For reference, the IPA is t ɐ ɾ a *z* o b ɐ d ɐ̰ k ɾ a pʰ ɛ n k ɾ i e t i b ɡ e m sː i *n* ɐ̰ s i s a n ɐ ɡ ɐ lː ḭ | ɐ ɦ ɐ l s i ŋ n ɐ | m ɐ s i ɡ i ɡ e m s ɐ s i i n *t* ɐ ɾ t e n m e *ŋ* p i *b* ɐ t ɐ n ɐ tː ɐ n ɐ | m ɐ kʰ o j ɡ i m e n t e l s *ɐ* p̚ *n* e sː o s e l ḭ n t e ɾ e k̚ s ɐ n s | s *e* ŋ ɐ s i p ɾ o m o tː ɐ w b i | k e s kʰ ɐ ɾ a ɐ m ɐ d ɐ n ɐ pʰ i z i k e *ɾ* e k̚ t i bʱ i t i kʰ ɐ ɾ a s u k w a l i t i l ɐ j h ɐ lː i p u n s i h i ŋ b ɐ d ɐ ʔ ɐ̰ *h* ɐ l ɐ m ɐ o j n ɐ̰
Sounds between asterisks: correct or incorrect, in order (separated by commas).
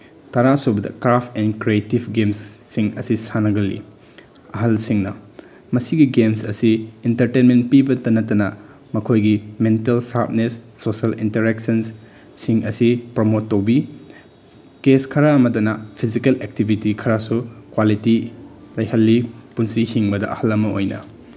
incorrect, incorrect, correct, incorrect, correct, incorrect, correct, incorrect, incorrect, correct